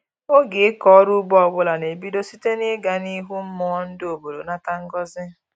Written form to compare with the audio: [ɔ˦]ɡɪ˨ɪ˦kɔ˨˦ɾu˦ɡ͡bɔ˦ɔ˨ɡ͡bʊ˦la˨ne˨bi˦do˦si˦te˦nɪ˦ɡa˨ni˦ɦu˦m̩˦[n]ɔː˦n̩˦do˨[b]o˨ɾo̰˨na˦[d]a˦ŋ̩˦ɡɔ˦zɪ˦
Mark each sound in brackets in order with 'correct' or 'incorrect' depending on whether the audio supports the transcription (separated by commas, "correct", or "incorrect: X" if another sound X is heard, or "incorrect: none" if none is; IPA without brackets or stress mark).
incorrect: o˦, incorrect: m, correct, incorrect: t